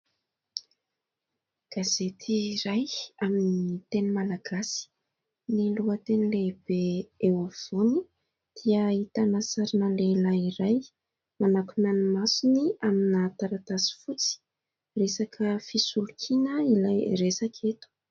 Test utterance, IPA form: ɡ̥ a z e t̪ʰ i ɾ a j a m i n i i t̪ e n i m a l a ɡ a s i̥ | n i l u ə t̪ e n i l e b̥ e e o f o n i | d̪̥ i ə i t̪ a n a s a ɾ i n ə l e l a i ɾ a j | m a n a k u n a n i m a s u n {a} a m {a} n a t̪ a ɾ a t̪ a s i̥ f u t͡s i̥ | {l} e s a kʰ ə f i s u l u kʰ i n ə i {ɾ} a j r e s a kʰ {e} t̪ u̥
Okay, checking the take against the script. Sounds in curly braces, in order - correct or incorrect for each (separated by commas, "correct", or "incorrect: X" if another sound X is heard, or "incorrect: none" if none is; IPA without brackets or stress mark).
incorrect: i, incorrect: i, incorrect: r, incorrect: l, correct